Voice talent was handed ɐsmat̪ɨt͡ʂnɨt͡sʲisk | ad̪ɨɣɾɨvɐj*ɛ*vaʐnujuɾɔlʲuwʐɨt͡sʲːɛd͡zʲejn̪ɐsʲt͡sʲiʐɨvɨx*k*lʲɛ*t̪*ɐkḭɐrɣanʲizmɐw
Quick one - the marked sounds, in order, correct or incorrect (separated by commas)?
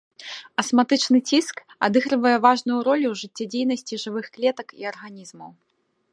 correct, correct, correct